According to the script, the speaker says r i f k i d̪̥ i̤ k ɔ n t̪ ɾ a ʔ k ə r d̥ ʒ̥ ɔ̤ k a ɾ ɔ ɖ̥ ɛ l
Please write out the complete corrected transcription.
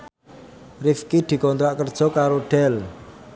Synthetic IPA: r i f k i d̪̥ i̤ k ɔ n t̪ ɾ a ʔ k ə r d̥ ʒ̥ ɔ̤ k a ɾ o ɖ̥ ɛ l